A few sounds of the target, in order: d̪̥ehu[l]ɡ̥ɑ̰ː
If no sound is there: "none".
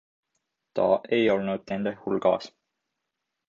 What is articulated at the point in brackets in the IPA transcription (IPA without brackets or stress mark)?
l